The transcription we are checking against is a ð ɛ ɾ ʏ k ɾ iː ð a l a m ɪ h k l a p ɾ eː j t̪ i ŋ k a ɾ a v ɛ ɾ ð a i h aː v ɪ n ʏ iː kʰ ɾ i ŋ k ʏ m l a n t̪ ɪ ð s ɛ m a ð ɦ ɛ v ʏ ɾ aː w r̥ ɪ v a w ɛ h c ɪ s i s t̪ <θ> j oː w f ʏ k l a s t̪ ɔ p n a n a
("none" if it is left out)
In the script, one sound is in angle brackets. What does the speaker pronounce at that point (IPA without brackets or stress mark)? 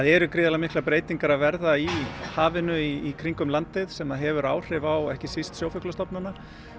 s